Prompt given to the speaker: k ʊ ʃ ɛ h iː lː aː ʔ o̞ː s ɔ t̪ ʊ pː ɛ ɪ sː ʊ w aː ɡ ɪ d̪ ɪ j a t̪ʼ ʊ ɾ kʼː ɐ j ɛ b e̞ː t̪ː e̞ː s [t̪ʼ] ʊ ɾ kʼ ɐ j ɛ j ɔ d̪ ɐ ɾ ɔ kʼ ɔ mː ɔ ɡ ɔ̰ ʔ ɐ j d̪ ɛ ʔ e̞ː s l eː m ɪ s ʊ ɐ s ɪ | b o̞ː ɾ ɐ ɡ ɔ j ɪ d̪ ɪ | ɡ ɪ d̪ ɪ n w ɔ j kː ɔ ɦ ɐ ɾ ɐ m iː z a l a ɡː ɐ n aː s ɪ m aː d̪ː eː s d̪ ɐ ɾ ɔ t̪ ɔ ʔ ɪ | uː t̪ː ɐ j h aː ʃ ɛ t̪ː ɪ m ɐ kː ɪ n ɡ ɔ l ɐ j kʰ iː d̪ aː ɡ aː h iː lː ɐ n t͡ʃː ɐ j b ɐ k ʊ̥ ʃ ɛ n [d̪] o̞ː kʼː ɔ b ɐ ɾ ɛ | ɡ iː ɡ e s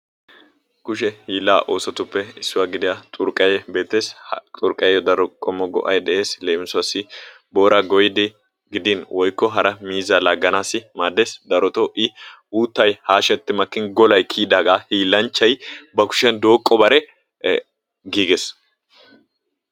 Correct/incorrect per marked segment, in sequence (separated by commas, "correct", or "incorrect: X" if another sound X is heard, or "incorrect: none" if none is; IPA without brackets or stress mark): correct, correct